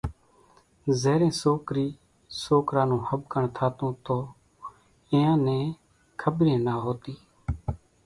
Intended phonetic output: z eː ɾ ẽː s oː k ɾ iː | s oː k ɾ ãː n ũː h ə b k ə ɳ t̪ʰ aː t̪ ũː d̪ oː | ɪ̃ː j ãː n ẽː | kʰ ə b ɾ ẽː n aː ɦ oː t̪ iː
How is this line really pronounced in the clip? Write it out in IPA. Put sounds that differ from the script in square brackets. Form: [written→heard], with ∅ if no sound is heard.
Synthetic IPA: z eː ɾ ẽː s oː k ɾ iː | s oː k ɾ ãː n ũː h ə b k ə ɳ t̪ʰ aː t̪ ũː [d̪→t̪] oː | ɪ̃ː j ãː n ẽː | kʰ ə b ɾ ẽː n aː ɦ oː t̪ iː